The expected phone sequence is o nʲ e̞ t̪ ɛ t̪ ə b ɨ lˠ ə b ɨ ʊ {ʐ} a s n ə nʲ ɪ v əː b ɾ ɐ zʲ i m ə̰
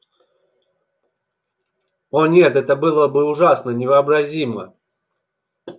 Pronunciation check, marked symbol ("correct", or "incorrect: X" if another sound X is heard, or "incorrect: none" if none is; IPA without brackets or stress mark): correct